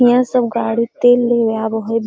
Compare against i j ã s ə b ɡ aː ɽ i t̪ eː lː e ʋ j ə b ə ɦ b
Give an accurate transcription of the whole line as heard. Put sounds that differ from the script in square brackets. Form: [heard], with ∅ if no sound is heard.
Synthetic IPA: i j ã s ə b ɡ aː ɽ i t̪ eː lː e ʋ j [a] b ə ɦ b